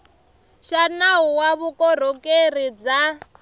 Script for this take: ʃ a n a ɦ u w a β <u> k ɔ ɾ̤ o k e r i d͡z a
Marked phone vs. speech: correct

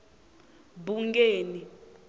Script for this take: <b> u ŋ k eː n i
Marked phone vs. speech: correct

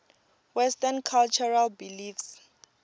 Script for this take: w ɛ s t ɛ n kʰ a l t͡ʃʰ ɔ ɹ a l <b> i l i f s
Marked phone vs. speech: correct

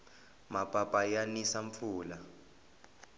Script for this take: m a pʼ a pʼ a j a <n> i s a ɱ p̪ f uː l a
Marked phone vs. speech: correct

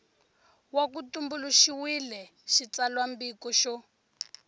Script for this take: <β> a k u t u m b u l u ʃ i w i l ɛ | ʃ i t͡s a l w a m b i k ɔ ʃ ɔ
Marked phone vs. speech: incorrect: w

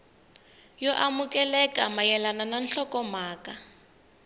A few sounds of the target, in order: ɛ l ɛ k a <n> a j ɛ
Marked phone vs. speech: incorrect: m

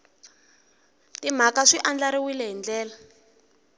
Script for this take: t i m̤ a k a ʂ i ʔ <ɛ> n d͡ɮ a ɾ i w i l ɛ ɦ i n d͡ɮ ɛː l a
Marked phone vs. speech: incorrect: a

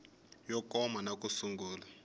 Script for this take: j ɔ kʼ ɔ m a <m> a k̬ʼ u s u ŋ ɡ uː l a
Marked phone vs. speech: incorrect: n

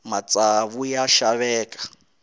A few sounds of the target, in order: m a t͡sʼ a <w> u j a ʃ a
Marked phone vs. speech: incorrect: β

